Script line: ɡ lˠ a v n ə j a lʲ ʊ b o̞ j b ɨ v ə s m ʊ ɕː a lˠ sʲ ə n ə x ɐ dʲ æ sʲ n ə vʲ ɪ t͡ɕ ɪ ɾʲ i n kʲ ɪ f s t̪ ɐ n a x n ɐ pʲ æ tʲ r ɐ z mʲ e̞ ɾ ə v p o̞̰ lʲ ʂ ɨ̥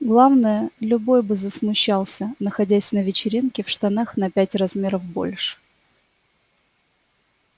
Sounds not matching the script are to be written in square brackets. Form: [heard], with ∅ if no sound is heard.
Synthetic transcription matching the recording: ɡ lˠ a v n ə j [ə] lʲ ʊ b o̞ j b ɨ [z] ə s m ʊ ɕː a lˠ sʲ ə n ə x ɐ dʲ æ sʲ n ə vʲ ɪ t͡ɕ ɪ ɾʲ i n kʲ ɪ f [ʂ] t̪ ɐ n a x n ɐ pʲ æ tʲ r ɐ z mʲ e̞ ɾ ə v [b] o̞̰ lʲ ʂ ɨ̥